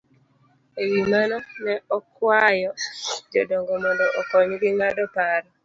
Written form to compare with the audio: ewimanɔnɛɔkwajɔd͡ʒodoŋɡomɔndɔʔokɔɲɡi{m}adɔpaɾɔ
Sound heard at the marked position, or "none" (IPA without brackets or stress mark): ŋ